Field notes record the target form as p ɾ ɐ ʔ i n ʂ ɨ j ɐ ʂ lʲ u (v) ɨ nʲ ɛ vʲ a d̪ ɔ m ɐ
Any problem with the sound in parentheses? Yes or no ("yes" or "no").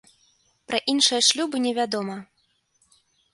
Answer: yes